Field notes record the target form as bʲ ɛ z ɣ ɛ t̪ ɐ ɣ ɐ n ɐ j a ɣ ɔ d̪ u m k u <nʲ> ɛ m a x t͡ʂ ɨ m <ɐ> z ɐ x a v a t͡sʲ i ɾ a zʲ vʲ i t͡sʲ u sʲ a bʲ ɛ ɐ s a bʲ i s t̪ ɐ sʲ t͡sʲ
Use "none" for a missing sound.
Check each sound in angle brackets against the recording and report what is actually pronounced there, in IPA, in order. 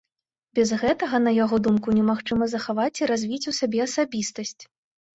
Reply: nʲ, ɐ

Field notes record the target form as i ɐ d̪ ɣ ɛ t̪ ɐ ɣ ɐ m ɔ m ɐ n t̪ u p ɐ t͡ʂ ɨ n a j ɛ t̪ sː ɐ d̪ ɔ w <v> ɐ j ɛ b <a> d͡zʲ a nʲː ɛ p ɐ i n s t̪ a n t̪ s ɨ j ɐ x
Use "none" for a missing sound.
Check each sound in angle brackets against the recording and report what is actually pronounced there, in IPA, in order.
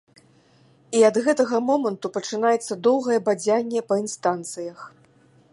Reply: ɣ, a

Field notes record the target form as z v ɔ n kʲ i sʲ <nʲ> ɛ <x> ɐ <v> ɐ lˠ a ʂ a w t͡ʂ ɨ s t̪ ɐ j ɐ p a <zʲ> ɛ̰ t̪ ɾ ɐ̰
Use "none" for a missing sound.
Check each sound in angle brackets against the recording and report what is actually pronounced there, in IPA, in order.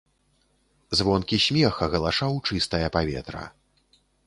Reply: mʲ, x, ɣ, vʲ

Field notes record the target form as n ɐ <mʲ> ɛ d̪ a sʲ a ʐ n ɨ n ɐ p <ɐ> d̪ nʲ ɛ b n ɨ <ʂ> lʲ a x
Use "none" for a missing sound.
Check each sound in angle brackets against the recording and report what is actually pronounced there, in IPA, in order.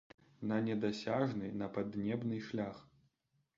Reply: nʲ, a, ʂ

